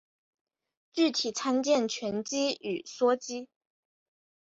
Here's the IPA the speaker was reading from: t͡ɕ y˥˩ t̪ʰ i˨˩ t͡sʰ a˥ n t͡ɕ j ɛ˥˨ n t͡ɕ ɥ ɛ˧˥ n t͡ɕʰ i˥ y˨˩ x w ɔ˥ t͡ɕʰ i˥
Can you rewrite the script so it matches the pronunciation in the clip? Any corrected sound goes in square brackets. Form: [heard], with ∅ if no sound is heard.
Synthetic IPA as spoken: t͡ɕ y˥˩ t̪ʰ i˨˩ t͡sʰ a˥ n t͡ɕ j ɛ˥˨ n [t͡ɕʰ] ɥ ɛ˧˥ n [t͡ɕ] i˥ y˨˩ [s] w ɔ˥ [t͡ɕ] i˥